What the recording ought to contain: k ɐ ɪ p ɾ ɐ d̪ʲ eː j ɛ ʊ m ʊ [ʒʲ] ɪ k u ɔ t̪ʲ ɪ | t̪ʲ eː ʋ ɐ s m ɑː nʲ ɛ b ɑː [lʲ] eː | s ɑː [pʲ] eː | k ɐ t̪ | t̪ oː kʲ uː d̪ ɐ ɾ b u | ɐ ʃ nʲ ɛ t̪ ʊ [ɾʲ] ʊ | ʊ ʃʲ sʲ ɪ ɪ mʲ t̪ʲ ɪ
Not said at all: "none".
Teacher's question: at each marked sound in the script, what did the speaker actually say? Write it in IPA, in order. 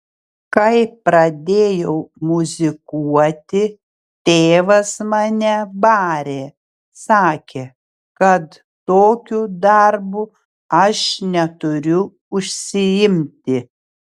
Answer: zʲ, ɾʲ, kʲ, ɾʲ

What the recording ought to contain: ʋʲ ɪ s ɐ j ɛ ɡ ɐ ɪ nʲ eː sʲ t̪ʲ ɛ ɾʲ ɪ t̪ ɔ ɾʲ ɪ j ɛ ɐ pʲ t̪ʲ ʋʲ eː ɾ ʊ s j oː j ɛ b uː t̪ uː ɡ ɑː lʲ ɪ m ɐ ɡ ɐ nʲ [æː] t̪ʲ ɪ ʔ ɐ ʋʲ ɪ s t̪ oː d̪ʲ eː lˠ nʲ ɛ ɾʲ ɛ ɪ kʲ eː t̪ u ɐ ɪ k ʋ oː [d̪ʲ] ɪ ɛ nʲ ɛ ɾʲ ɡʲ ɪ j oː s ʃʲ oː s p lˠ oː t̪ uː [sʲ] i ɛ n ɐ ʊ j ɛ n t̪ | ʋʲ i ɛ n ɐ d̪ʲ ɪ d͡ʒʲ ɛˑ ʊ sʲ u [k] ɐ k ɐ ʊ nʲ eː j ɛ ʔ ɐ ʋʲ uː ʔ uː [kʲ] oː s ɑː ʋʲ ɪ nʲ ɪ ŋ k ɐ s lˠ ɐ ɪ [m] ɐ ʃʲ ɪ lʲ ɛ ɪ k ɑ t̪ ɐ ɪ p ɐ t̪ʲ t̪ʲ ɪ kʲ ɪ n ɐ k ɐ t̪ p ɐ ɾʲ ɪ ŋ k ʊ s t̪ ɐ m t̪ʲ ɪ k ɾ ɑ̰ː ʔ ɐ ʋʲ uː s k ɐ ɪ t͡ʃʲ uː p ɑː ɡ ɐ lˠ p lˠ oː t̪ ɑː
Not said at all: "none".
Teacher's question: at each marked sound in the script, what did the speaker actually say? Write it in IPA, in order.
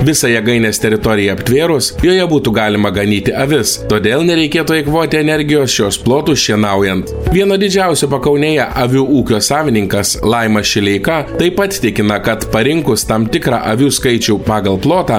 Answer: iː, t̪ʲ, ʃʲ, p, kʲ, m

